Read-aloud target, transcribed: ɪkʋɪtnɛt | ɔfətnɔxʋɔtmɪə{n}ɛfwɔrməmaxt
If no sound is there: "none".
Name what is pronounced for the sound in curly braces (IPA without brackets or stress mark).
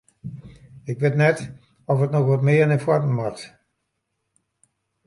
n